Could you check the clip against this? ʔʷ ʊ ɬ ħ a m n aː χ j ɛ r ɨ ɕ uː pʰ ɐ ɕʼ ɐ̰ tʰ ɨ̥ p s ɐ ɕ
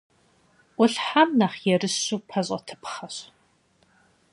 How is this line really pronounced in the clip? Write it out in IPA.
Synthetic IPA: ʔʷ ʊ ɬ ħ a m n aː χ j ɛ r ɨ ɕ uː pʰ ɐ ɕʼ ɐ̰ tʰ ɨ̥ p χ ɐ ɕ